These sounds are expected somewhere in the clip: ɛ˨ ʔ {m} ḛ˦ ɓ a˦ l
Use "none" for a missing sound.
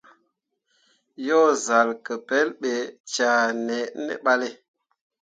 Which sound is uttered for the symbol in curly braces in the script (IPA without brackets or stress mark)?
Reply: n